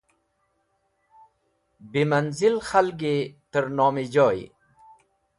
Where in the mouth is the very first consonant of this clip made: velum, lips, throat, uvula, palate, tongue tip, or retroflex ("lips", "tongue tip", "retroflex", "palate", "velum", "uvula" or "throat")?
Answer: lips